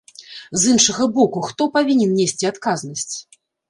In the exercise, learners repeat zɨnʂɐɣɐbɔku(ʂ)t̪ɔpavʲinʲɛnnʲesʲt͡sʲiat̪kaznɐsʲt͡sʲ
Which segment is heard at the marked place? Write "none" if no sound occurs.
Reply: x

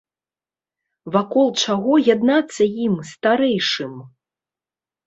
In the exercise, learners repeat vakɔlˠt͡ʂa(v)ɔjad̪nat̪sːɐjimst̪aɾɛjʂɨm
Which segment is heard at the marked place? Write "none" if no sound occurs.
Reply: ɣ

